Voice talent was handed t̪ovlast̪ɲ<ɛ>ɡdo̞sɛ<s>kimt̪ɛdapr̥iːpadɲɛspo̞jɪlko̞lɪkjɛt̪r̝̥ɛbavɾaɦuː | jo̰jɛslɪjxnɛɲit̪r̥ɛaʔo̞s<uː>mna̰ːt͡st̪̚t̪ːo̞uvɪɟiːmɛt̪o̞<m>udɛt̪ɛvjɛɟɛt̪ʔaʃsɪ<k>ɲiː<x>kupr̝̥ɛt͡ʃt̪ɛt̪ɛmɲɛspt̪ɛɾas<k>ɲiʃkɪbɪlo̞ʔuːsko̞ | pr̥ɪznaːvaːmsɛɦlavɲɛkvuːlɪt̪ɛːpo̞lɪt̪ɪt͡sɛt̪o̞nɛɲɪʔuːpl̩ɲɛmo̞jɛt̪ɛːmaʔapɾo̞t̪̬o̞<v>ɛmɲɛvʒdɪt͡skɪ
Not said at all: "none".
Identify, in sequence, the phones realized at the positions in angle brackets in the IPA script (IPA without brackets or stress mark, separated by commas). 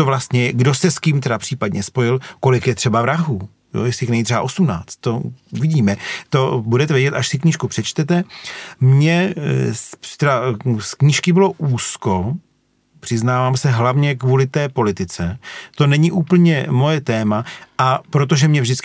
ɛ, s, u, b, k, ʃ, k, ʒ